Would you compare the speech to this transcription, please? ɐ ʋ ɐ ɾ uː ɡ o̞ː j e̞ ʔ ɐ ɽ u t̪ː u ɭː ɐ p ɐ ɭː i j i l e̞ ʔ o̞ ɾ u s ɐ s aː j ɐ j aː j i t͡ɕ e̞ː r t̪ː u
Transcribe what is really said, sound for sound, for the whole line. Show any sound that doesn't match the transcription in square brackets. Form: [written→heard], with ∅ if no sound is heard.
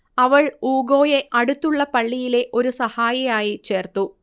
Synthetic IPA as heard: ɐ ʋ ɐ [ɾ→ɭ] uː ɡ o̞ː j e̞ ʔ ɐ ɽ u t̪ː u ɭː ɐ p ɐ ɭː i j i l e̞ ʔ o̞ ɾ u s ɐ [s→h] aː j ɐ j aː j i t͡ɕ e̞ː r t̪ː u